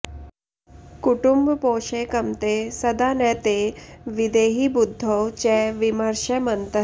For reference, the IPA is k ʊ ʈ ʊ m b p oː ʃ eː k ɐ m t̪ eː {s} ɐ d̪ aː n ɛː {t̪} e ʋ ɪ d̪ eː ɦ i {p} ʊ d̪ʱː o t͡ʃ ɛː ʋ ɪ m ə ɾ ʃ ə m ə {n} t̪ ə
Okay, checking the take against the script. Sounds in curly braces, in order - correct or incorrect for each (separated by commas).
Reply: correct, correct, incorrect, correct